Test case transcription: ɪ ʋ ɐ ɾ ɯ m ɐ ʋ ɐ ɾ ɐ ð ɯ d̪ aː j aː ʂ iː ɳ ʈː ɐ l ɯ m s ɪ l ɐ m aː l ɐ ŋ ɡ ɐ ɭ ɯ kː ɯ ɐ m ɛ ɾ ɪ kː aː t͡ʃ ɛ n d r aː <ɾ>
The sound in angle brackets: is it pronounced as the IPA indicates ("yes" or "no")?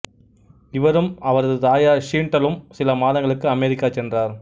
yes